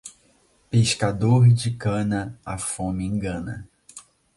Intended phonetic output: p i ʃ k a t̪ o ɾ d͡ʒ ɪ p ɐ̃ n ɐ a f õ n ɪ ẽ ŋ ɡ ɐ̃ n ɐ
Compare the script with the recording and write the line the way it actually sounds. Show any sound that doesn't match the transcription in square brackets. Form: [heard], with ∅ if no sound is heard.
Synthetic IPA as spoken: p [e] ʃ k a [d̪] o ɾ d͡ʒ ɪ [k] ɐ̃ n ɐ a f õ [m] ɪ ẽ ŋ ɡ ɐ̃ n ɐ

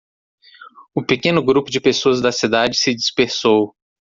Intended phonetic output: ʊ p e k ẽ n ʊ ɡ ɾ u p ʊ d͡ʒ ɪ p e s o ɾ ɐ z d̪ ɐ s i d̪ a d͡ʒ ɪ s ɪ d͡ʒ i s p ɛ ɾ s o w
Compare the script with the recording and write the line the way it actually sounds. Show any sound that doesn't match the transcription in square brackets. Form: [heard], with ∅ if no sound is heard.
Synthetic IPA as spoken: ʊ p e k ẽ n ʊ ɡ ɾ u p ʊ d͡ʒ ɪ p e s o [∅] ɐ z d̪ ɐ s i d̪ a d͡ʒ ɪ s ɪ d͡ʒ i s p [e] ɾ s o w

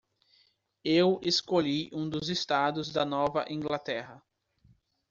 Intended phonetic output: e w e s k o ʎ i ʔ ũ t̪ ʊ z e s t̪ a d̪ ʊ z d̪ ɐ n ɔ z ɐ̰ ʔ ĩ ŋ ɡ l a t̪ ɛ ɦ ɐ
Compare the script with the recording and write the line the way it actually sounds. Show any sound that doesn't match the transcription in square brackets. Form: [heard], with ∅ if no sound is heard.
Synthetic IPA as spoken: e w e s k o ʎ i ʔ ũ [d̪] ʊ z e s t̪ a d̪ ʊ z d̪ ɐ n ɔ [v] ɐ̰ ʔ ĩ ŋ ɡ l a t̪ ɛ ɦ ɐ

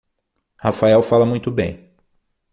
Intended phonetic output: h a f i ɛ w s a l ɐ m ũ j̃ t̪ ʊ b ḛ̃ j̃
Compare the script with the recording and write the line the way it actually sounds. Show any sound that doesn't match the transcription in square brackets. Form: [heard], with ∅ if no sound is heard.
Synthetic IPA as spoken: h a f [a] ɛ w [f] a l ɐ m ũ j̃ t̪ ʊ b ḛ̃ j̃

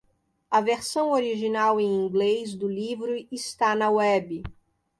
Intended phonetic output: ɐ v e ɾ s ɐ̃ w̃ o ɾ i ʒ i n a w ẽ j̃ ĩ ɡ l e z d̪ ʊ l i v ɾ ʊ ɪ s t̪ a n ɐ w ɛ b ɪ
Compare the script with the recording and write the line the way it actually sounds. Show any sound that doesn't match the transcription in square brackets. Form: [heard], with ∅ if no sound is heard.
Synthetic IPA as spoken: ɐ v e ɾ s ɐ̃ w̃ o ɾ i ʒ i n a w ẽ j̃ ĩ ɡ l e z d̪ ʊ l i v ɾ ʊ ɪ s t̪ a n ɐ w ɛ b ɪ

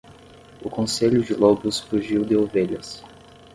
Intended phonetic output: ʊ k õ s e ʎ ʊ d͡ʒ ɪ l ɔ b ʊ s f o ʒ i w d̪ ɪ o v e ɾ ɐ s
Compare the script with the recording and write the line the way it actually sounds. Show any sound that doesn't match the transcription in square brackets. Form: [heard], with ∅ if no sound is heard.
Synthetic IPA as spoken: ʊ k õ s e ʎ ʊ d͡ʒ ɪ l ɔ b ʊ s f [u] ʒ i w d̪ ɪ o v e [ʎ] ɐ s

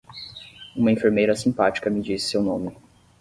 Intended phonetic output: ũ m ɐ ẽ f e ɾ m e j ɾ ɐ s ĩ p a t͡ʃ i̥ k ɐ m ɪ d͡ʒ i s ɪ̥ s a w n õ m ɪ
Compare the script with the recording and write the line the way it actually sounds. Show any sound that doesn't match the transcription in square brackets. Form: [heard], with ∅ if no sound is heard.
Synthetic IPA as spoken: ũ m ɐ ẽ f e ɾ m e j ɾ ɐ s ĩ p a t͡ʃ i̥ k ɐ m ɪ d͡ʒ i s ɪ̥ s [e] w n õ m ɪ

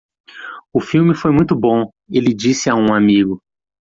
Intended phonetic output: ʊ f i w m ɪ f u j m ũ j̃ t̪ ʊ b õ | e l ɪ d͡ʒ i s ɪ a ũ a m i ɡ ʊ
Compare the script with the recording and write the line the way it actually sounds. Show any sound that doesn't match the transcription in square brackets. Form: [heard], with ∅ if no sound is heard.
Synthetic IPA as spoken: ʊ f i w m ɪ f [o] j m ũ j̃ t̪ ʊ b õ | e l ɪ d͡ʒ i s ɪ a ũ a m i ɡ ʊ

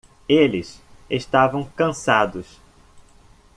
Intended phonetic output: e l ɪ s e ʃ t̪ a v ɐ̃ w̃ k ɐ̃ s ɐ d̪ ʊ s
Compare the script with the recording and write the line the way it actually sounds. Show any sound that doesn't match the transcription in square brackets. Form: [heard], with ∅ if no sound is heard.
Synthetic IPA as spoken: e l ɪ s e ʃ t̪ a v ɐ̃ w̃ k ɐ̃ s [a] d̪ ʊ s

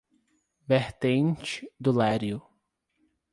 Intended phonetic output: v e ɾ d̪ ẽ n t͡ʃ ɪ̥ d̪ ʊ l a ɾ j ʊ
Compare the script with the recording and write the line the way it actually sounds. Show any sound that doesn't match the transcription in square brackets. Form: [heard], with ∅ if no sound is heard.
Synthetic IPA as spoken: v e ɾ [t̪] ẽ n t͡ʃ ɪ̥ d̪ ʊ l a ɾ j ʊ

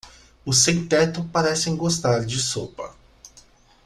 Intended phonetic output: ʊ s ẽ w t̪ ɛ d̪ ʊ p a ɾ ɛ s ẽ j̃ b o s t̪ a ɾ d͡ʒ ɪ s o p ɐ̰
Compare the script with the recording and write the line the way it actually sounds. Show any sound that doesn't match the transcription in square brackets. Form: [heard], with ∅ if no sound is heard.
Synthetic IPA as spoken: ʊ s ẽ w t̪ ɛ [t̪] ʊ p a ɾ ɛ s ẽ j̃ [ɡ] o s t̪ a ɾ d͡ʒ ɪ s o p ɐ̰

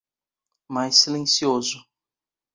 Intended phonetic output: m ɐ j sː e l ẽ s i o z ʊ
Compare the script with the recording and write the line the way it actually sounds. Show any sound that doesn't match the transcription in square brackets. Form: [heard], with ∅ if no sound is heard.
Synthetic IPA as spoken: m [a] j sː [i] l ẽ s i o z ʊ

